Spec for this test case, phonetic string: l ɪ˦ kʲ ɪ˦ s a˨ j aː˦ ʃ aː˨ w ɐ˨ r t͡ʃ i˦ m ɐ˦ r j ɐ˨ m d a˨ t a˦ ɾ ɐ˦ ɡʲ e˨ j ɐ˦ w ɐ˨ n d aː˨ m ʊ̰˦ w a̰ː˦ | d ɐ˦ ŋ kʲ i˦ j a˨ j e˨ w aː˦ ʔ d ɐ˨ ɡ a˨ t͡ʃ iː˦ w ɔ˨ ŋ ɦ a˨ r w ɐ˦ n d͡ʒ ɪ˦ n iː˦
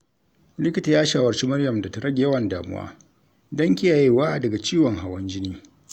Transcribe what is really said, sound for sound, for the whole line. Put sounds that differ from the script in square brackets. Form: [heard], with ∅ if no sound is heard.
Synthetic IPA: l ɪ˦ kʲ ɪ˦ [t] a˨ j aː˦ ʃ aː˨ w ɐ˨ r t͡ʃ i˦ m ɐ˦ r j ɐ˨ m d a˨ t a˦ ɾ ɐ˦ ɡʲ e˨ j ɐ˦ w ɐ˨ n d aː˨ m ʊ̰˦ w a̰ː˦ | d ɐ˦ ŋ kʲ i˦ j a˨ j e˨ w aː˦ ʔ d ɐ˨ ɡ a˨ t͡ʃ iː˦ w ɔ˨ ŋ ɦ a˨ [∅] w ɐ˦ n d͡ʒ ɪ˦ n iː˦